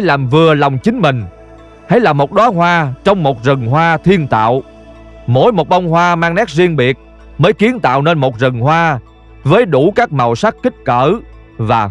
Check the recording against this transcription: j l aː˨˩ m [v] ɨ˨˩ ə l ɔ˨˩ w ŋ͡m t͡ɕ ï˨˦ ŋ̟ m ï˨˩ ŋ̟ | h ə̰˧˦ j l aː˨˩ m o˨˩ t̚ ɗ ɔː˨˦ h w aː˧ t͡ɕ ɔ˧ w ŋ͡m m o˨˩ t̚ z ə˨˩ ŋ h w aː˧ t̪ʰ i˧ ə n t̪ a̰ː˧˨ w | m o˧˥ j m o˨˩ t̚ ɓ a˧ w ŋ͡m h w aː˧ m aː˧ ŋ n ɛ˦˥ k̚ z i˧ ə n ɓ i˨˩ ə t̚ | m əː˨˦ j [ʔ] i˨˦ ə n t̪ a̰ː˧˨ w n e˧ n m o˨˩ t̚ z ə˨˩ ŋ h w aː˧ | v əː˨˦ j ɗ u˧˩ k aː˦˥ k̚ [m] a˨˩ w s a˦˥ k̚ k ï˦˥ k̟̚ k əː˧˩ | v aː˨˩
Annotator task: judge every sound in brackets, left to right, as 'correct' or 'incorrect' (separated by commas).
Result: correct, incorrect, correct